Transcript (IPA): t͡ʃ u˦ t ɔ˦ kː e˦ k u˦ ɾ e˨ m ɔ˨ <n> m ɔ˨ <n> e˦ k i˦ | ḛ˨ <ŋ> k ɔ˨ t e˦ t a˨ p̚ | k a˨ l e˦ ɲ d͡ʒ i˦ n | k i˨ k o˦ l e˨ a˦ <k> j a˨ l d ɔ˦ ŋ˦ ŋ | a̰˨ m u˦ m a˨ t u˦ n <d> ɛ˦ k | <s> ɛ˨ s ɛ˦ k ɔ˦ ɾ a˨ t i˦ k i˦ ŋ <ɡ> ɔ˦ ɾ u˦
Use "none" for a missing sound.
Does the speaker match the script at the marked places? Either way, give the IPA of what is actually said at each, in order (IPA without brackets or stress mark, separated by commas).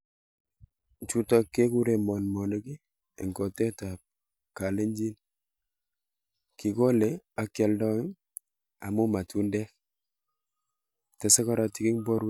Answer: n, n, ŋ, k, d, t, b